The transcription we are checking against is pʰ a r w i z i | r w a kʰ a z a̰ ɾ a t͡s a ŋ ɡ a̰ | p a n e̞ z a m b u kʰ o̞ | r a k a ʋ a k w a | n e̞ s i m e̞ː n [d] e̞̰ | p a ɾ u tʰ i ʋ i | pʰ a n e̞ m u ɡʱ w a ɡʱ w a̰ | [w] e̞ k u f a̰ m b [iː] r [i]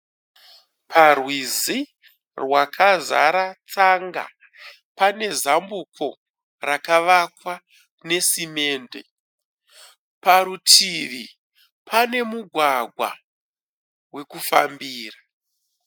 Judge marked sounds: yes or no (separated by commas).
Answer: yes, yes, yes, no